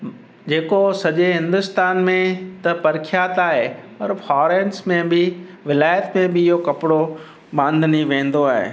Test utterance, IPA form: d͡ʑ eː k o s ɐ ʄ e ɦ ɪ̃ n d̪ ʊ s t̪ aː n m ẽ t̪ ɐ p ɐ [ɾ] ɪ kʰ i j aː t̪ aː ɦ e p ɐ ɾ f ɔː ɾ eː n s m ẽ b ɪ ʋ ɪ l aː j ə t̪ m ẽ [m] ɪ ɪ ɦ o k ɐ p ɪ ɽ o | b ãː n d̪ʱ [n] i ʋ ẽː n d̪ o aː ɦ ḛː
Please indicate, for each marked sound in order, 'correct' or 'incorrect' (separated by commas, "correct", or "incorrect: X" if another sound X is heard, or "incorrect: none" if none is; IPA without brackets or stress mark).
correct, incorrect: b, correct